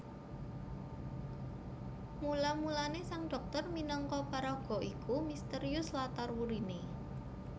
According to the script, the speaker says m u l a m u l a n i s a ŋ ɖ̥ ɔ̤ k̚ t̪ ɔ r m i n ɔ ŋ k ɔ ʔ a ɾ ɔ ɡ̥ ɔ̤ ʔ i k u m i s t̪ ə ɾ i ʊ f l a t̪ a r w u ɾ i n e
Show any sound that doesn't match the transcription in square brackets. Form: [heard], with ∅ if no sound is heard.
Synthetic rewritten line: m u l a m u l a n [e] s a ŋ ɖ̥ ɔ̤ k̚ t̪ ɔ r m i n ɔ ŋ k ɔ [p] a ɾ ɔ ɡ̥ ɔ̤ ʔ i k u m i s t̪ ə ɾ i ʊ [s] l a t̪ a r w u ɾ i n e